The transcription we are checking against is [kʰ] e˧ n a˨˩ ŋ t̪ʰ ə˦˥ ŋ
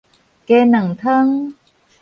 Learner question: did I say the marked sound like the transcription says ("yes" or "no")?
no